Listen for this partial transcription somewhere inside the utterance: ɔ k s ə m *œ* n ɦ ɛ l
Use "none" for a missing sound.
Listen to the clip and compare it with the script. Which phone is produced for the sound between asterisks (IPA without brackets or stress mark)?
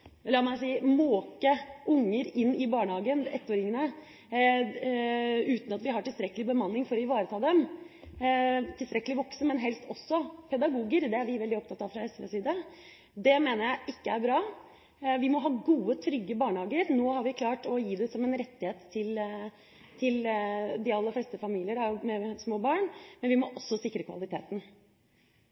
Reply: ɛ